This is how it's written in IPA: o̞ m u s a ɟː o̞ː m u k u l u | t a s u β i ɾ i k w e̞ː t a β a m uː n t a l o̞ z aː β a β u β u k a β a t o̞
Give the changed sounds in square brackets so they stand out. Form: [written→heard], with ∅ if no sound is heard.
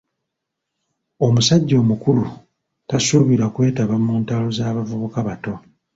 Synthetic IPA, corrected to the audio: o̞ m u s a ɟː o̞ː m u k u l u | t a s u β i ɾ [i→a] k w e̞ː t a β a m uː n t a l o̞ z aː β a [β→v] u β u k a β a t o̞